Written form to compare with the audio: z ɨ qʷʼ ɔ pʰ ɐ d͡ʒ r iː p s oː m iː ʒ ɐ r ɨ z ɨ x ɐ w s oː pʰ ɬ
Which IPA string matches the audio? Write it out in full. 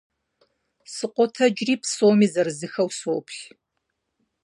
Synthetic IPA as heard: s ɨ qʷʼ ɔ tʰ ɐ d͡ʒ r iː p s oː m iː z ɐ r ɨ z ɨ x ɐ w s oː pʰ ɬ